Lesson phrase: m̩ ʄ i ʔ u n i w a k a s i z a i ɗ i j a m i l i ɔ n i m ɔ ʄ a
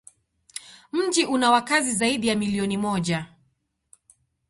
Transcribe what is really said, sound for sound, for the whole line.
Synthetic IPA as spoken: m̩ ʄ i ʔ u n a w a k a z i z a i ɗ i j a m i l i ɔ n i m ɔ ʄ a

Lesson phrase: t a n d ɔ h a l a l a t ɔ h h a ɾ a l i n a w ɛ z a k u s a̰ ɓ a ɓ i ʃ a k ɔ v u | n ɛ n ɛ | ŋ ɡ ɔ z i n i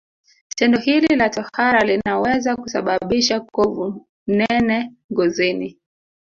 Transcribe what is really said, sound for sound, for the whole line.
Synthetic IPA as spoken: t ɛ n d ɔ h i l i l a t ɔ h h a ɾ a l i n a w ɛ z a k u s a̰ ɓ a ɓ i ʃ a k ɔ v u | n ɛ n ɛ | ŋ ɡ ɔ z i n i

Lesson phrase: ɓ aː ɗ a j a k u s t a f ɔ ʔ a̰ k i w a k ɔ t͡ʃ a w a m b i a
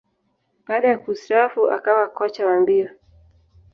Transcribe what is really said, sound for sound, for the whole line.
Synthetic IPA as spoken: ɓ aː ɗ a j a k u s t a f u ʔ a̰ k a w a k ɔ t͡ʃ a w a m b i a

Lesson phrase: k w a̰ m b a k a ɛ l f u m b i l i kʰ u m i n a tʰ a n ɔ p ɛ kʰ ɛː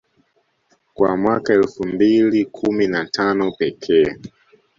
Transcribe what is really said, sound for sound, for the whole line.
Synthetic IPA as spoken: k w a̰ m w a k a ɛ l f u m b i l i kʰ u m i n a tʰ a n ɔ p ɛ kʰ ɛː

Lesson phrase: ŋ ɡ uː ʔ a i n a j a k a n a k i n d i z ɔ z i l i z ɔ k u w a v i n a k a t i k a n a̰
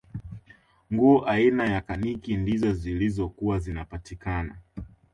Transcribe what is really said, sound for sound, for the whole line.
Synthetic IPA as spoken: ŋ ɡ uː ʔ a i n a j a k a n i k i n d i z ɔ z i l i z ɔ k u w a z i n a p a t i k a n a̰

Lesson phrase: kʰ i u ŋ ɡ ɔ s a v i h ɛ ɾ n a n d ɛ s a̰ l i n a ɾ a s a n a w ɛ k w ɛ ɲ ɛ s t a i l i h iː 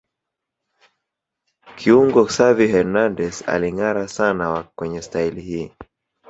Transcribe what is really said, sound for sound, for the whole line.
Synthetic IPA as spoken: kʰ i u ŋ ɡ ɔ s a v i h ɛ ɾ n a n d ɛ s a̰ l i ŋ a ɾ a s a n a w a k w ɛ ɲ ɛ s t a i l i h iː

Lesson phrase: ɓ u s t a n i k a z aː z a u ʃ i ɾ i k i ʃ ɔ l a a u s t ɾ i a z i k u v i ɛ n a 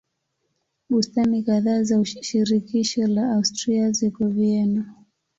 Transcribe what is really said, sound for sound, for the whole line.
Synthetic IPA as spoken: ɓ u s t a n i k a ð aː z a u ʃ i ɾ i k i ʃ ɔ l a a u s t ɾ i a z i k ɔ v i ɛ n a

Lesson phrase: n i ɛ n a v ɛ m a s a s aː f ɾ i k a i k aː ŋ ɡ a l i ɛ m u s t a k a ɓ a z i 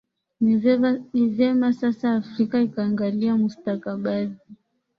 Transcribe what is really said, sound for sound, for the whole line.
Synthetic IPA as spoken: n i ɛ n i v ɛ m a s a s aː f ɾ i k a i k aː ŋ ɡ a l i a m u s t a k a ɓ a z i

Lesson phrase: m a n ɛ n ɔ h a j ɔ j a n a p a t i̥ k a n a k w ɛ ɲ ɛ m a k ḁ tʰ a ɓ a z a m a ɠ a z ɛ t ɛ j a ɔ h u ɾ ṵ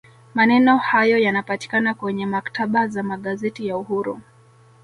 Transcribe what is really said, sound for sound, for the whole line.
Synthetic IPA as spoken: m a n ɛ n ɔ h a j ɔ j a n a p a t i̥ k a n a k w ɛ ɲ ɛ m a k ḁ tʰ a ɓ a z a m a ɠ a z ɛ t i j a u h u ɾ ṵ

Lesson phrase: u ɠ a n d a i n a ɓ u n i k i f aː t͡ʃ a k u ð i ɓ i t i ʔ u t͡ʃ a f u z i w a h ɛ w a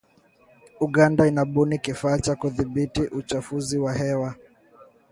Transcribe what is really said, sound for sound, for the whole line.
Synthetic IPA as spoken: u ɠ a n d a i n a ɓ u n i k i f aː t͡ʃ a k u ð i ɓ i t i ʔ u t͡ʃ a f u z i w a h ɛ w a

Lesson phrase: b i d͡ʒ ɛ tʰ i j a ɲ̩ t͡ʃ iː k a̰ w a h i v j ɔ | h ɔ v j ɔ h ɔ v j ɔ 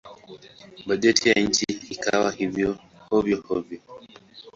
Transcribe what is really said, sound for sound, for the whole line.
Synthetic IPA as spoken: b a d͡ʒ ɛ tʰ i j a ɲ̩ t͡ʃ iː k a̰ w a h i v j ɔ | h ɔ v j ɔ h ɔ v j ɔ

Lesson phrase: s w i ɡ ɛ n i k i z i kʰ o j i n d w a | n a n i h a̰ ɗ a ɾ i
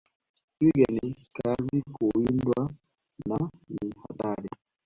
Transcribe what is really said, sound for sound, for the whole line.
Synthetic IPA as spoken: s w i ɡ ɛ n i k a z i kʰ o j i n d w a | n a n i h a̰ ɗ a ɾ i

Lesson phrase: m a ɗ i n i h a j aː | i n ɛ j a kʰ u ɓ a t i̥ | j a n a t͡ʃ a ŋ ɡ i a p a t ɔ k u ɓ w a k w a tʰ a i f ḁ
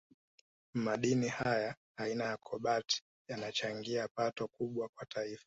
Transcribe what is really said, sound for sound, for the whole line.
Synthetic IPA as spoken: m a ɗ i n i h a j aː | i n a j a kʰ ɔ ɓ a t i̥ | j a n a t͡ʃ a ŋ ɡ i a p a t ɔ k u ɓ w a k w a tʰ a i f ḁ

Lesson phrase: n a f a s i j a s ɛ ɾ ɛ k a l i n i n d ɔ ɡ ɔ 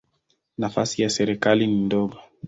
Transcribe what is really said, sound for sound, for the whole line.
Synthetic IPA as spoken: n a f a s i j a s ɛ ɾ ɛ k a l i n i n d ɔ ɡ ɔ

